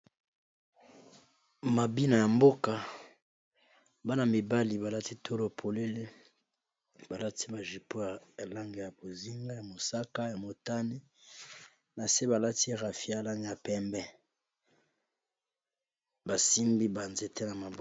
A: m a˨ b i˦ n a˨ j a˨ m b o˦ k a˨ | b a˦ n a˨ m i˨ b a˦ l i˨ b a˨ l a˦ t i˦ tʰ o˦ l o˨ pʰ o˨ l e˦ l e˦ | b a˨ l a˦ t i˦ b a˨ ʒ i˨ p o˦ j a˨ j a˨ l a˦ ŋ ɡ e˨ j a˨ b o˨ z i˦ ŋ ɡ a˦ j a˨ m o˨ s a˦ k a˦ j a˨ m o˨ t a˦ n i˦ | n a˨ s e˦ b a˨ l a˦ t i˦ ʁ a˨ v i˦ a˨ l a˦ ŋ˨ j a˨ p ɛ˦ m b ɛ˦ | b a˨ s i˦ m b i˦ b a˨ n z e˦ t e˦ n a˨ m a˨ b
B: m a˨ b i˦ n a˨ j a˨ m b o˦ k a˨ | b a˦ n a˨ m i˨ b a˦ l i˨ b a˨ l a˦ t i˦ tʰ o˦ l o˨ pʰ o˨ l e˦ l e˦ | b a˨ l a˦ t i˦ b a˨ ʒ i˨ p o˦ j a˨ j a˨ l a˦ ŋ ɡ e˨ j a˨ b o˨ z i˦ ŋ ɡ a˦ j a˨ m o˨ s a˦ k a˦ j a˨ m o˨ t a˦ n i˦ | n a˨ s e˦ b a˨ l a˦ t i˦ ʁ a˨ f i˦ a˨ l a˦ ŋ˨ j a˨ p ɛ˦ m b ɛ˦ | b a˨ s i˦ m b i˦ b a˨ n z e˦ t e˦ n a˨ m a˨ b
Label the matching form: B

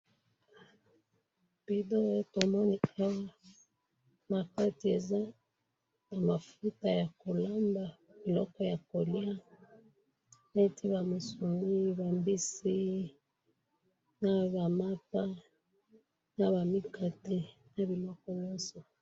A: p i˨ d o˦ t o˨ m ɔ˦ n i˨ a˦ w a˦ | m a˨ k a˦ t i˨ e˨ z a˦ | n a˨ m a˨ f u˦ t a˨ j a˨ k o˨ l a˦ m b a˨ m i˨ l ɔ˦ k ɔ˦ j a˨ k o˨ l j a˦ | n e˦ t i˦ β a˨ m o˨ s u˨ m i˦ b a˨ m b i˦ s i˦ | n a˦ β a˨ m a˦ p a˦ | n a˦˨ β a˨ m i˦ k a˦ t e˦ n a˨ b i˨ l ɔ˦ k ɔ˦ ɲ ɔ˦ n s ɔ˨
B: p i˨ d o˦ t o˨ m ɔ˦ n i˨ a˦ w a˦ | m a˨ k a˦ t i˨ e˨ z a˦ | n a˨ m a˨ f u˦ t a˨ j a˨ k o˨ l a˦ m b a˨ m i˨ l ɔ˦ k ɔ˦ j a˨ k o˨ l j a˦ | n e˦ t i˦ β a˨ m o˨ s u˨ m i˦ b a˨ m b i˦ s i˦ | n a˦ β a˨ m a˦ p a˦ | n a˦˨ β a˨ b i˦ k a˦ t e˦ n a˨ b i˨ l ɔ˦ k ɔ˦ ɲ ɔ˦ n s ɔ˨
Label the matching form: A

